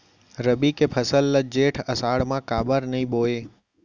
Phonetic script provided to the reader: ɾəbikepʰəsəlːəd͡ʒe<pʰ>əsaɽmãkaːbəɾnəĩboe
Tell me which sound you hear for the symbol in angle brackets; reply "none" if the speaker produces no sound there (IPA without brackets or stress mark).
ʈʰ